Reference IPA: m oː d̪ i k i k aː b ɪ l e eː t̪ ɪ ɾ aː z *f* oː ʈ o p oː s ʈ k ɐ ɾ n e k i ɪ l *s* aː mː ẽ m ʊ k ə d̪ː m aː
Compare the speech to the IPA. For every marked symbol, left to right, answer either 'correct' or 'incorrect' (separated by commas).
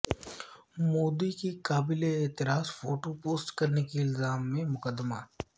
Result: correct, incorrect